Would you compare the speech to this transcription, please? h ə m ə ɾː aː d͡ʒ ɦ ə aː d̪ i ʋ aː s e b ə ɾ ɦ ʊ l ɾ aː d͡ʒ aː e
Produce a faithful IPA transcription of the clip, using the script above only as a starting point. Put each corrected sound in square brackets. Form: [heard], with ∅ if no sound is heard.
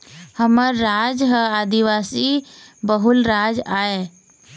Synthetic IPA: h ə m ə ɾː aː d͡ʒ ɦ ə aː d̪ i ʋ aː s [i] b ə [∅] ɦ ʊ l ɾ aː d͡ʒ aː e

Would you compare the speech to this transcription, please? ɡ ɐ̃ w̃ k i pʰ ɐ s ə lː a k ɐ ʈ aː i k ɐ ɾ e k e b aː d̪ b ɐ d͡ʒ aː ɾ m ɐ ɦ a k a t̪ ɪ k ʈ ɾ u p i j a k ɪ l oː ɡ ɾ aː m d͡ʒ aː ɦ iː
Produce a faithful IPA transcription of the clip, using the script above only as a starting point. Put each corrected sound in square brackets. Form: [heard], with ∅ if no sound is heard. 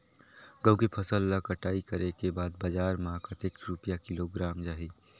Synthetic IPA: ɡ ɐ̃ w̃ k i pʰ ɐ s ə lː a k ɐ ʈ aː i k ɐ ɾ e k e b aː d̪ b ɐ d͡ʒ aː ɾ m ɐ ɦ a k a t̪ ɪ k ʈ ɾ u p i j a k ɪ l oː ɡ ɾ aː m d͡ʒ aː ɦ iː

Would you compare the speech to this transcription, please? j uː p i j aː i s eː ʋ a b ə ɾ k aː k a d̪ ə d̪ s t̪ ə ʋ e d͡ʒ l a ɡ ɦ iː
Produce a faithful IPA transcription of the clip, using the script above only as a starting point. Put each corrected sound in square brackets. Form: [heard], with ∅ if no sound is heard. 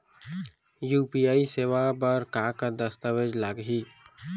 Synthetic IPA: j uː p i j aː i s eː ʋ a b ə ɾ k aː k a d̪ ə [∅] s t̪ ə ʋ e d͡ʒ l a ɡ ɦ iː

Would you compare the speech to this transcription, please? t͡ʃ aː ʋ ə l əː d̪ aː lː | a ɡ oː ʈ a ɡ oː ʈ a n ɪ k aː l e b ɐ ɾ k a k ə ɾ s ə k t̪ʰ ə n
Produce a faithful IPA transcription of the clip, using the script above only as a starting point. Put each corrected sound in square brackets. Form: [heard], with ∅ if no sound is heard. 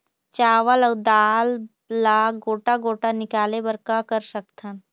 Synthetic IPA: t͡ʃ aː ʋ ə l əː d̪ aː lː | a ɡ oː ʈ a ɡ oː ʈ a n ɪ k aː l e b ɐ ɾ k a k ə ɾ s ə k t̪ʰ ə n

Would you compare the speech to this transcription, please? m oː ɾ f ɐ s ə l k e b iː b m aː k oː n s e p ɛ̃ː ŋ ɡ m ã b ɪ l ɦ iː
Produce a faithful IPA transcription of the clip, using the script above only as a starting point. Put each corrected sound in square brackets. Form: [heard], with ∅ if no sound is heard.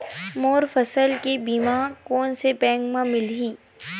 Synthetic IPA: m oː ɾ f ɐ s ə l k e b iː [∅] m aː k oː n s e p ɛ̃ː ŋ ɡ m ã [m] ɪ l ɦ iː

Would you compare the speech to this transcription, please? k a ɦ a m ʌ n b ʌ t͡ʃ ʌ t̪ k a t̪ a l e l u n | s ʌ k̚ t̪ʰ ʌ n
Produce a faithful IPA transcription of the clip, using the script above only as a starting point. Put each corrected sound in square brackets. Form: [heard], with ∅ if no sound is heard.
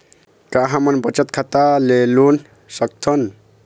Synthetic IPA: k a ɦ a m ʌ n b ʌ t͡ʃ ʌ t̪ [kʰ] a t̪ a l e l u n | s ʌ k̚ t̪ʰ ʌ n

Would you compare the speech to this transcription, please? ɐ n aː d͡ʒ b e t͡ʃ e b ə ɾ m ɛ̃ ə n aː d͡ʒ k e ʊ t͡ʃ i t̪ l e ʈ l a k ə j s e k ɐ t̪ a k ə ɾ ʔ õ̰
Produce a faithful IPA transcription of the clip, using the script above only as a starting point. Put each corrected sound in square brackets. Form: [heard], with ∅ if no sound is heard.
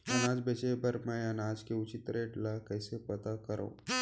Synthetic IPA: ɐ n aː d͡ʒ b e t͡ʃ e b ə ɾ m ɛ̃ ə n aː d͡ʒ k e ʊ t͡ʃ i t̪ [ɾ] e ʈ l a k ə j s e [p] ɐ t̪ a k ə ɾ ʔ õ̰

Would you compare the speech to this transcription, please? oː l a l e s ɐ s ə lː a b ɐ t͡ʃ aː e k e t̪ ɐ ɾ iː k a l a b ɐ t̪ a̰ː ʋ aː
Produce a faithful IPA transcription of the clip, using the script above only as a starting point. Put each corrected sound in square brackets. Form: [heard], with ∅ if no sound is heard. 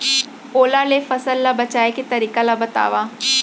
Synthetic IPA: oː l a l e [f] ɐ s ə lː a b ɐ t͡ʃ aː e k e t̪ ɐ ɾ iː k a l a b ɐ t̪ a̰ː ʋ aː

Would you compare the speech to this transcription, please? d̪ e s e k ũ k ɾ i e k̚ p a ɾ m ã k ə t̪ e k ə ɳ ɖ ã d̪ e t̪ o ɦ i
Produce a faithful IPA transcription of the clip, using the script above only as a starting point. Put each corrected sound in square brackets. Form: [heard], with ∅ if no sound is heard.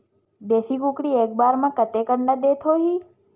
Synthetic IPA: d̪ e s [i] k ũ k [ɽ] i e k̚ [b] a ɾ m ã k ə t̪ e k ə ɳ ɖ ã d̪ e [t̪ʰ] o ɦ i

